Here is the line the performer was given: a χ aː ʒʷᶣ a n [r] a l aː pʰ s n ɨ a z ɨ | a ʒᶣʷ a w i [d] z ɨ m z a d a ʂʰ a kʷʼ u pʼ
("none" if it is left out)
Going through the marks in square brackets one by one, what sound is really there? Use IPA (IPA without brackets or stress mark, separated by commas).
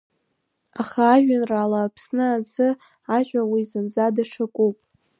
r, none